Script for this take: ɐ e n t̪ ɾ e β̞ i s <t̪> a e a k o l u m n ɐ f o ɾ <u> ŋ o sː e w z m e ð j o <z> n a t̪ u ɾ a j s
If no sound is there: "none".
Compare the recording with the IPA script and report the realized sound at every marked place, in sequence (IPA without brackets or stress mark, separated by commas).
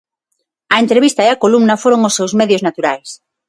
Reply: t̪, o, z